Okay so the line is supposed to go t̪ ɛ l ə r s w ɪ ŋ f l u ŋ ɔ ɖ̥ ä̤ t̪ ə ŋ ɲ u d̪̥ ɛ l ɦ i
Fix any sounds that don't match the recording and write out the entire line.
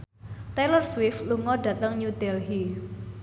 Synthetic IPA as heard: t̪ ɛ l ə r s w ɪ f l u ŋ ɔ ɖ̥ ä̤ t̪ ə ŋ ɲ u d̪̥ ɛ l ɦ i